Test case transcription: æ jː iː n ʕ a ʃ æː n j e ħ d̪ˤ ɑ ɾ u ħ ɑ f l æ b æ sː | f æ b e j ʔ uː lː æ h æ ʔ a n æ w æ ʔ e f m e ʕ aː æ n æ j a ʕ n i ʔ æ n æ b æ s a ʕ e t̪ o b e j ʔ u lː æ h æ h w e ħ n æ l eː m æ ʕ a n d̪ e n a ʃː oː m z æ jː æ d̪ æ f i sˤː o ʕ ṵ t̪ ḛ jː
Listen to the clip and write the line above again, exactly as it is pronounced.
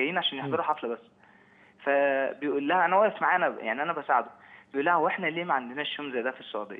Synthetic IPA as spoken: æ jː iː n ʕ a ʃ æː n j e ħ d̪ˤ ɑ ɾ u ħ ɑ f l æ b æ sː | f æ b e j ʔ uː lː æ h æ ʔ æ n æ w æ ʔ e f m a ʕ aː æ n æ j a ʕ n i ʔ æ n æ b æ s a ʕ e d̪ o b e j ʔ u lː æ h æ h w e ħ n æ l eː m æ ʕ a n d̪ e n æ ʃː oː m z æ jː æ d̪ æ f i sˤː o ʕ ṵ d̪ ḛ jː